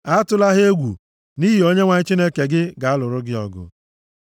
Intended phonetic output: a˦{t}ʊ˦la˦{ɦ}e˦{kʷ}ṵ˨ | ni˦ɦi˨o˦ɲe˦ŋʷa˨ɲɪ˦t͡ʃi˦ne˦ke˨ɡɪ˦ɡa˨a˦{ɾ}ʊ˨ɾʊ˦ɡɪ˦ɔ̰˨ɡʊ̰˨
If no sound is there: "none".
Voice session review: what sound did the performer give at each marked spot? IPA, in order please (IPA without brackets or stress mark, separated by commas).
t, ɦ, ɡʷ, l